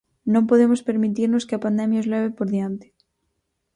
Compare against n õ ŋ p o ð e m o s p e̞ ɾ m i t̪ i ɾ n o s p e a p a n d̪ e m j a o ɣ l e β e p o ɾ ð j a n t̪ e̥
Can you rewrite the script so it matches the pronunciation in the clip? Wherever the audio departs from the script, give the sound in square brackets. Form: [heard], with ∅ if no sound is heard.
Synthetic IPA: n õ [m] p o ð e m o s p e̞ ɾ m i t̪ i ɾ n o s [k] e a p a n d̪ e m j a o [z] l e β e p o ɾ ð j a n t̪ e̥